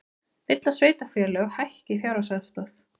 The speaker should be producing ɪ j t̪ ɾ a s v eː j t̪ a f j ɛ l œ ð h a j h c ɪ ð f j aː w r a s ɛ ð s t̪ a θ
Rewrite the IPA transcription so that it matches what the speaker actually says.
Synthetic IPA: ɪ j t̪ l a s v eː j t̪ a f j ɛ l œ ɣ h a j h c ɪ f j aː w ɾ a s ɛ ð s t̪ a θ